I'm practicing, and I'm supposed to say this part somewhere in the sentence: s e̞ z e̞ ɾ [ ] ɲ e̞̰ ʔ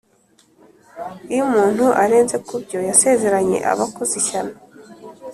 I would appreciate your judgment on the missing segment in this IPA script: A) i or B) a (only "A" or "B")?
B